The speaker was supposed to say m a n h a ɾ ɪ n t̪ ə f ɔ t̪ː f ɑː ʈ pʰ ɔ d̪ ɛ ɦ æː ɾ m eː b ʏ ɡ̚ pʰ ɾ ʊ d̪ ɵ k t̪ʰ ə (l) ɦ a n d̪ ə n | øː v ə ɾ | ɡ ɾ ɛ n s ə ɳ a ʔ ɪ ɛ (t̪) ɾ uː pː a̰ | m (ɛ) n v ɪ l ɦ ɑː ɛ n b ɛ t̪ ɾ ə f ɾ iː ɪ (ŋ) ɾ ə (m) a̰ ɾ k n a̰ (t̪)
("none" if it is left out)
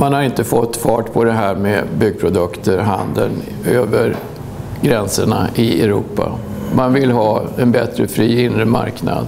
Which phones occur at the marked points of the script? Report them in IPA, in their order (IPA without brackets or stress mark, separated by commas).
ɾ, none, a, n, m, d̪